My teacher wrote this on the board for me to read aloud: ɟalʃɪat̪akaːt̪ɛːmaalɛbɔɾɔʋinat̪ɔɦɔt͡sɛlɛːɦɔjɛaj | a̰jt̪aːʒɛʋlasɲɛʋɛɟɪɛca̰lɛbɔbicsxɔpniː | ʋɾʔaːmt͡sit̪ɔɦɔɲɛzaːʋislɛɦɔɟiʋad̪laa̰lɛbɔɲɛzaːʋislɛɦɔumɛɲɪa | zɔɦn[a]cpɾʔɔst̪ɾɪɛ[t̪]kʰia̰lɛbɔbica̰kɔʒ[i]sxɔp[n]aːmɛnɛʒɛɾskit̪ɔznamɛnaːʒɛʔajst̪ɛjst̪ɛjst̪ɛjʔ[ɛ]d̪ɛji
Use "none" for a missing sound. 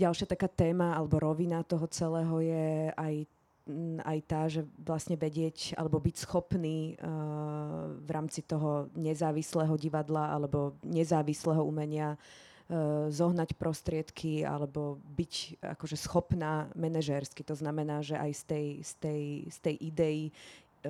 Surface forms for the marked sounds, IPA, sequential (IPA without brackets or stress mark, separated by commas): a, t̪, ɛ, n, i